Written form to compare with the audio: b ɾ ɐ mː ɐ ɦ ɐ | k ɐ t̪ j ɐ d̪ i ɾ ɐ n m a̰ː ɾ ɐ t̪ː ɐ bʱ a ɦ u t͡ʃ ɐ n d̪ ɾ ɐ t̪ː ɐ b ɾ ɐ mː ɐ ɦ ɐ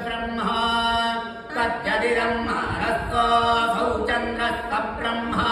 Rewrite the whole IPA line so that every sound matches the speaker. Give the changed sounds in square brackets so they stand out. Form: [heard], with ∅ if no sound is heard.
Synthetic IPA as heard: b ɾ ɐ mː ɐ ɦ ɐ | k ɐ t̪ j ɐ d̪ i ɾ ɐ [m] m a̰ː ɾ ɐ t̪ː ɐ bʱ [ɐ] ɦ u t͡ʃ ɐ n d̪ ɾ ɐ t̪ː ɐ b ɾ ɐ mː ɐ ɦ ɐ